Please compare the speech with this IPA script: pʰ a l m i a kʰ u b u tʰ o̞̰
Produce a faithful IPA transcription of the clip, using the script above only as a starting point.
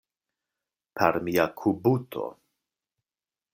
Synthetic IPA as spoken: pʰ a ɾ m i a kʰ u b u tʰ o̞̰